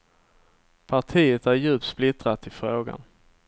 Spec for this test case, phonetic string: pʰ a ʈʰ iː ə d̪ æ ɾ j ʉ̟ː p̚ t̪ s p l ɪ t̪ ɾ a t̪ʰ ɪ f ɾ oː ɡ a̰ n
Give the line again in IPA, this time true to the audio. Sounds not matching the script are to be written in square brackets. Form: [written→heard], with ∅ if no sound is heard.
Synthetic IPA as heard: pʰ a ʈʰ iː ə [d̪→t̪] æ ɾ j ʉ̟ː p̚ t̪ s p l ɪ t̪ ɾ a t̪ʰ ɪ f ɾ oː ɡ a̰ n